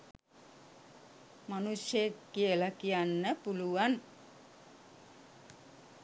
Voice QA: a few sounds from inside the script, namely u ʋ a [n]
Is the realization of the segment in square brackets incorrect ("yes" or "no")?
no